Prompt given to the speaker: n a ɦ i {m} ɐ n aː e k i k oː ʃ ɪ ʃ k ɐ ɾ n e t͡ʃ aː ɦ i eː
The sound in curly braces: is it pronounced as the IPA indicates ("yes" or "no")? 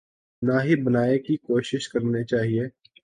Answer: no